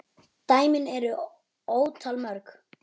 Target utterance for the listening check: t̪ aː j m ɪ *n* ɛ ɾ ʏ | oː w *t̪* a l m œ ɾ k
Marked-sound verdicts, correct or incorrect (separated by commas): correct, incorrect